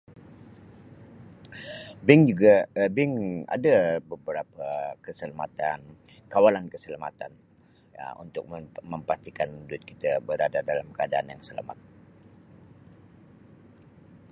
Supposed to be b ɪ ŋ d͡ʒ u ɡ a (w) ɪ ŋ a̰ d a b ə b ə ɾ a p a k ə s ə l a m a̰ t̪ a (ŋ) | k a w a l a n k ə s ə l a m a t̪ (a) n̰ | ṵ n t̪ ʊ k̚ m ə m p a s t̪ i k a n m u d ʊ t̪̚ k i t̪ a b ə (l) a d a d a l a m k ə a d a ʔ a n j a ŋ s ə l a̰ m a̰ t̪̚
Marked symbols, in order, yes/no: no, no, yes, no

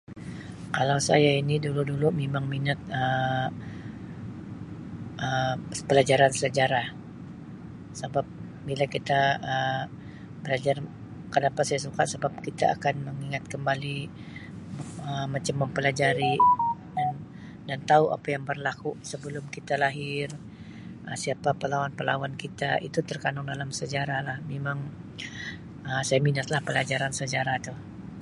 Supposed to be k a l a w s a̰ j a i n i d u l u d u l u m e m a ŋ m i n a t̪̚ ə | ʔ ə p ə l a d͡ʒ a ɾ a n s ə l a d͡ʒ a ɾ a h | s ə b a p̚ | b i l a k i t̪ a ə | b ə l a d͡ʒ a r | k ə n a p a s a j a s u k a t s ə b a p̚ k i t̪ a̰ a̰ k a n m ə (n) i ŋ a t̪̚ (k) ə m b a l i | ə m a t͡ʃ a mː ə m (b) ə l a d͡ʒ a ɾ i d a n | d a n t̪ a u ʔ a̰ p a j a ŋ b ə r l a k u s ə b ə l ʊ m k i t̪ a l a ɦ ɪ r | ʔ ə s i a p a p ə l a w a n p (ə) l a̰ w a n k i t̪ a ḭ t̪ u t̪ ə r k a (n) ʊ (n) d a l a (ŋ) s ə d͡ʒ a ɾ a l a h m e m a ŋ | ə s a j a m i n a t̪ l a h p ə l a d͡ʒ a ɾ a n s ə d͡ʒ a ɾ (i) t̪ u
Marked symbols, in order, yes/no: no, yes, no, yes, yes, no, no, no

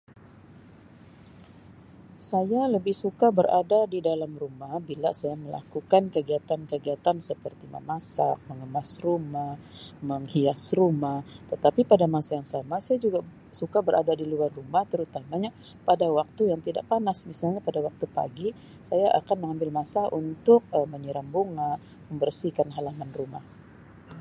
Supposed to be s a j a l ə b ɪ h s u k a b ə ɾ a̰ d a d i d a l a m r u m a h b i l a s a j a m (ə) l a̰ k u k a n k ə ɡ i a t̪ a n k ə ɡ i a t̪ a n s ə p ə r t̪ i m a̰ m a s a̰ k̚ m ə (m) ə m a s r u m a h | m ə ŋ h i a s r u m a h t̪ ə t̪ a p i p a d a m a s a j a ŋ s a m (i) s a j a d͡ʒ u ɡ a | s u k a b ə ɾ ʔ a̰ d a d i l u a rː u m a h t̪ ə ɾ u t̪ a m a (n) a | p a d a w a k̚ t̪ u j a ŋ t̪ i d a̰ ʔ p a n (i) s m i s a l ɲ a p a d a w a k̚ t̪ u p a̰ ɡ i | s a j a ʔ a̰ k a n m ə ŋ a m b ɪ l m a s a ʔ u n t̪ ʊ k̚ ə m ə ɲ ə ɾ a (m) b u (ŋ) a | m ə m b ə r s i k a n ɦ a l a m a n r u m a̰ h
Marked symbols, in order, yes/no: yes, no, no, no, no, yes, yes

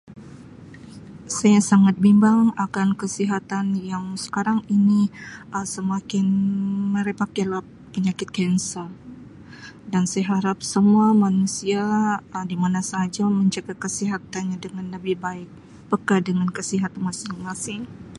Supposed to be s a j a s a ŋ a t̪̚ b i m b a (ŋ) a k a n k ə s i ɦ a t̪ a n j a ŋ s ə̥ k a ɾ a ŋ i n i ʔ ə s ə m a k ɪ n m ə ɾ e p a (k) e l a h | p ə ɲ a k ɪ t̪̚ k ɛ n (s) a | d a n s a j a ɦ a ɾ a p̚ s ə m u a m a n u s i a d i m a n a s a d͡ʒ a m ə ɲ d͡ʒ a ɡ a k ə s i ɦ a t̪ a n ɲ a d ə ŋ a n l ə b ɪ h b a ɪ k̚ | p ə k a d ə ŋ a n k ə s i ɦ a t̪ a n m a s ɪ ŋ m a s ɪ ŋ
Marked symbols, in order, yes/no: yes, yes, yes

